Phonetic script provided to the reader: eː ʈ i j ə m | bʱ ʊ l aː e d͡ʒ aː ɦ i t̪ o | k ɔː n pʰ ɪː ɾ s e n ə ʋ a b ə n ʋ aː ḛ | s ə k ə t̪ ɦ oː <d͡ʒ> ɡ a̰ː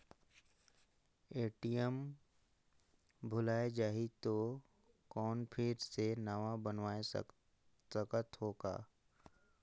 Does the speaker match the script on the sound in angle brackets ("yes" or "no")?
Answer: no